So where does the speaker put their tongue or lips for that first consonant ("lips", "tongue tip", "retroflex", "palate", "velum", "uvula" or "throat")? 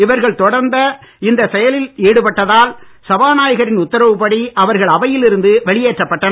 lips